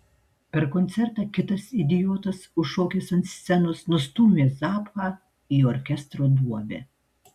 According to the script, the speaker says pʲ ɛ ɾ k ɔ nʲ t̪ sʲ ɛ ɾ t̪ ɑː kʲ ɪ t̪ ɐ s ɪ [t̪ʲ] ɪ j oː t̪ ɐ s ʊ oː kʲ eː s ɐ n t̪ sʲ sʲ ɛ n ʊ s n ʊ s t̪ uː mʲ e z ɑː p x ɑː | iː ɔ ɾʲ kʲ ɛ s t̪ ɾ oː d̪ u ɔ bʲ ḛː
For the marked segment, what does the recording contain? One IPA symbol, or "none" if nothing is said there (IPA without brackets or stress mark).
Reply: d̪ʲ